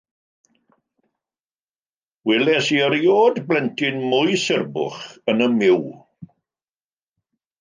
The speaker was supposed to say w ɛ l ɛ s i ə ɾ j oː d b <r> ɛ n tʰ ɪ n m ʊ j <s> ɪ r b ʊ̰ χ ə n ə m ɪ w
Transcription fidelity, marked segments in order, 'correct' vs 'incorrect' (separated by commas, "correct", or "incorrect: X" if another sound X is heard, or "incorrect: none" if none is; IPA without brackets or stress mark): incorrect: l, correct